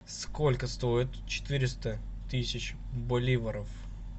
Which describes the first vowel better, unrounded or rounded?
rounded